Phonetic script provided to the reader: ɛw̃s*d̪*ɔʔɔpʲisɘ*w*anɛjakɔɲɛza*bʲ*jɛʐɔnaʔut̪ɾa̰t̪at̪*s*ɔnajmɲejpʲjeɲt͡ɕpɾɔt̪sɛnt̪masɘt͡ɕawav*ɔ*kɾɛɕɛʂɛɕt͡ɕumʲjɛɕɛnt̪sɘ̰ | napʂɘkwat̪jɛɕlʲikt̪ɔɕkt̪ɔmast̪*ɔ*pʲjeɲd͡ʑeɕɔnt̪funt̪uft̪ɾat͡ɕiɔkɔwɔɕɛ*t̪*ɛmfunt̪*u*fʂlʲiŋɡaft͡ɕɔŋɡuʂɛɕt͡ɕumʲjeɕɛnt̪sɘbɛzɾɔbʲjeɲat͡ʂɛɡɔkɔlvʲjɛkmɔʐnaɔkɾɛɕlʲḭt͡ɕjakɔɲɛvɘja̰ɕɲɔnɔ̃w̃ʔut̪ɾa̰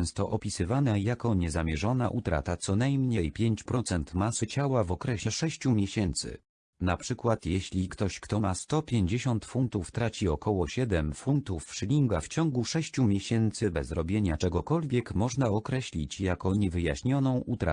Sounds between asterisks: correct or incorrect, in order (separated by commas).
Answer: incorrect, incorrect, incorrect, correct, correct, correct, incorrect, correct